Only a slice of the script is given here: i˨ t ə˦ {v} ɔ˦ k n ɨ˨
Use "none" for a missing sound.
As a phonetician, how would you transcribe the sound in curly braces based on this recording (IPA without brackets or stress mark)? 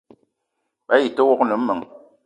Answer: w